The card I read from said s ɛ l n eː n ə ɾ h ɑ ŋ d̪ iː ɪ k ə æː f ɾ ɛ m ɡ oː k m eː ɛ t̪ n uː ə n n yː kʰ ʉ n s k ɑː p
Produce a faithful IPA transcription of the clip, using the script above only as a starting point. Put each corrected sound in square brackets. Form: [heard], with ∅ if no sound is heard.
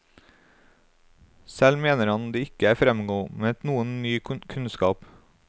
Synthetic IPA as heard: s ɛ l [m] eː n ə ɾ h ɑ [n] d̪ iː ɪ k ə æː f ɾ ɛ m ɡ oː [∅] m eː ɛ t̪ n uː ə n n yː kʰ ʉ n s k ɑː p